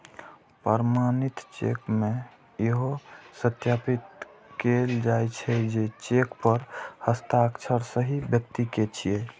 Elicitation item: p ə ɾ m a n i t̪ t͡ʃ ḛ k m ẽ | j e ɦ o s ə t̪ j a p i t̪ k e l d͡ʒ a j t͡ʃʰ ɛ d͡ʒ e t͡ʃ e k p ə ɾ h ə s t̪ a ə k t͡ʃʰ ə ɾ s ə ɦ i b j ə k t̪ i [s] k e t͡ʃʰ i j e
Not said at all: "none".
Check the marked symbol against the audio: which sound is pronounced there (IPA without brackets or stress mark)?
none